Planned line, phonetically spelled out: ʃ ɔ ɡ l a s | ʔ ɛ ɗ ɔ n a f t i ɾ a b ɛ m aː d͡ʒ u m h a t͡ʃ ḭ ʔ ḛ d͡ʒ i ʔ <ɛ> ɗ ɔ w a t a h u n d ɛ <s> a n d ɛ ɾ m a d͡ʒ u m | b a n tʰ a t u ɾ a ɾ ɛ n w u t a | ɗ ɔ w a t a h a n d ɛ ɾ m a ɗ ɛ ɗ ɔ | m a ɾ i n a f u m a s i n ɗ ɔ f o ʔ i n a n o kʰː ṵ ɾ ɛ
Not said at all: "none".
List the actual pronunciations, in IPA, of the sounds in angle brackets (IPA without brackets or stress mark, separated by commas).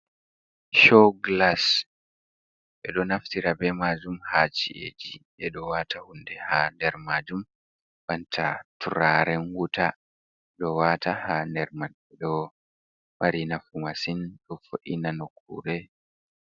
ɛ, h